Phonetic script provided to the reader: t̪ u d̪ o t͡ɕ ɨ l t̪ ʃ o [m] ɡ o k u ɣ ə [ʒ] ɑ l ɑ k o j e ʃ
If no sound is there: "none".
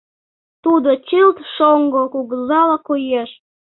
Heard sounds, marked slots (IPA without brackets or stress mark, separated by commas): ŋ, z